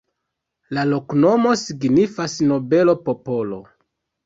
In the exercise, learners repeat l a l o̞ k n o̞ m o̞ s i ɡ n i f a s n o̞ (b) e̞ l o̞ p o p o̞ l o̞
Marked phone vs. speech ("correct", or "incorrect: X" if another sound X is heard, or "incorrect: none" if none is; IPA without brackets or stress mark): correct